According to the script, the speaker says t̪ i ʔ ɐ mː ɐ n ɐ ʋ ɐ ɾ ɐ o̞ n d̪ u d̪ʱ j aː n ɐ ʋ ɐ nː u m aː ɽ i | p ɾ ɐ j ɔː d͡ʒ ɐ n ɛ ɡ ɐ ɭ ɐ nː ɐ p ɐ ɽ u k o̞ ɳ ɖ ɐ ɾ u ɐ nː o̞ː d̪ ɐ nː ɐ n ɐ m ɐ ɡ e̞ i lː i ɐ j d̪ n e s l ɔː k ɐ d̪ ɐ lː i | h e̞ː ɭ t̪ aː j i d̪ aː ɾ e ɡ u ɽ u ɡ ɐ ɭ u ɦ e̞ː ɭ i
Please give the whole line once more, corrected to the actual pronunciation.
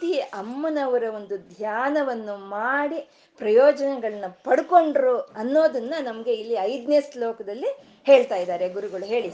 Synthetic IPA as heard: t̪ i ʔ ɐ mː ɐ n ɐ ʋ ɐ ɾ ɐ o̞ n d̪ u d̪ʱ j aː n ɐ ʋ ɐ nː u m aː ɽ i | p ɾ ɐ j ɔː d͡ʒ ɐ n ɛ ɡ ɐ ɭ ɐ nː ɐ p ɐ ɽ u k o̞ ɳ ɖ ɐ ɾ u ɐ nː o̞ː d̪ ɐ nː ɐ n ɐ m ɐ ɡ e̞ i lː i ɐ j d̪ n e s l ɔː k ɐ d̪ ɐ lː i | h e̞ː ɭ t̪ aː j i d̪ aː ɾ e ɡ u ɾ u ɡ ɐ ɭ u ɦ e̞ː ɭ i